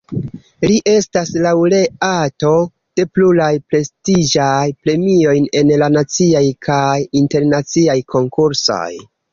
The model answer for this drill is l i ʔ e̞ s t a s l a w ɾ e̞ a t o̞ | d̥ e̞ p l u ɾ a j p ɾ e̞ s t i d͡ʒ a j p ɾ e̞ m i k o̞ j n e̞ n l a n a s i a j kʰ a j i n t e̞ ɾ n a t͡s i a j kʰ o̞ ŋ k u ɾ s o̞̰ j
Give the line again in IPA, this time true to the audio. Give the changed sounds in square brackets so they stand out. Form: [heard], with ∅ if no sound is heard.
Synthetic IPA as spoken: l i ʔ e̞ s t a s l a w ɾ e̞ a t o̞ | d̥ e̞ p l u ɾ a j p ɾ e̞ s t i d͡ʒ a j p ɾ e̞ m i [∅] o̞ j n e̞ n l a n a [t͡s] i a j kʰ a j i n t e̞ ɾ n a t͡s i a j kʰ o̞ ŋ k u ɾ s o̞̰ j